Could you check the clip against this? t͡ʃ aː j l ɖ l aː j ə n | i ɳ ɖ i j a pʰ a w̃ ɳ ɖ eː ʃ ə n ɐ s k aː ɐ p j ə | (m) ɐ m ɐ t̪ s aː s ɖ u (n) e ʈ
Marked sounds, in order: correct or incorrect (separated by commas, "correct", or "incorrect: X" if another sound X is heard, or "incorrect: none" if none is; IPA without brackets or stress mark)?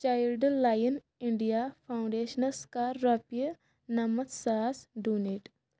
incorrect: n, correct